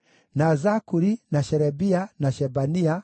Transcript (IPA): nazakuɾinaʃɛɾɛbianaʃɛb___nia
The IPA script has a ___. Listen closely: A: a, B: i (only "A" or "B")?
A